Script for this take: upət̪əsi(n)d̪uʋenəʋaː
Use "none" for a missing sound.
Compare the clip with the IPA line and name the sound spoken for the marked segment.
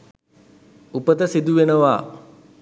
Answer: none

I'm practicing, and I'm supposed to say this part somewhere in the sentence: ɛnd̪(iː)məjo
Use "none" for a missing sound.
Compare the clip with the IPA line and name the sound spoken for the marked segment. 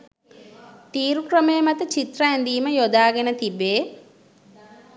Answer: iː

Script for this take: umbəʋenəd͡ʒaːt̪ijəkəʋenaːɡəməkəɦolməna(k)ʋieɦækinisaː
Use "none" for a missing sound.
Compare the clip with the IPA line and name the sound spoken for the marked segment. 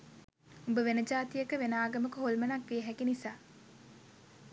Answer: k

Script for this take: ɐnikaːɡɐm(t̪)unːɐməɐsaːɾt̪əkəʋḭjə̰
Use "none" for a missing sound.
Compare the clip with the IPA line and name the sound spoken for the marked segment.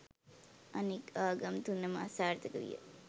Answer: t̪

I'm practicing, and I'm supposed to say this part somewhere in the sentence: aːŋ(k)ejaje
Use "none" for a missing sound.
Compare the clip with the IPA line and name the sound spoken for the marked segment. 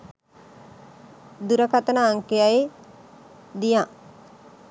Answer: k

